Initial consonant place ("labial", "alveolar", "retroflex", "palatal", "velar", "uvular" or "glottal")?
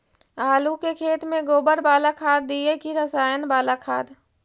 alveolar